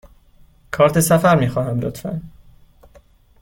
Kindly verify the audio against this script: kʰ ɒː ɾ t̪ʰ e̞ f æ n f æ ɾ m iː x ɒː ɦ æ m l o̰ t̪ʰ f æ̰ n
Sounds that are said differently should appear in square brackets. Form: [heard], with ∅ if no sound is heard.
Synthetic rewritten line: kʰ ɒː ɾ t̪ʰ e̞ [s] æ [∅] f æ ɾ m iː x ɒː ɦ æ m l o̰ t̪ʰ f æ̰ n